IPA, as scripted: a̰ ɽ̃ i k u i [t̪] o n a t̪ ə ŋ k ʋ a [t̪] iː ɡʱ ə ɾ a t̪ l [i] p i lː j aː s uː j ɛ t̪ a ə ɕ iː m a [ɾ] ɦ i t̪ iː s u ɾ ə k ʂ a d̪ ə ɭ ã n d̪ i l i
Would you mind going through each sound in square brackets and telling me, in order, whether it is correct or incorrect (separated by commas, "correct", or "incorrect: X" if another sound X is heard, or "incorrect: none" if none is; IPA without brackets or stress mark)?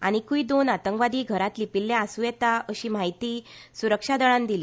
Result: incorrect: d̪, incorrect: d̪, correct, incorrect: none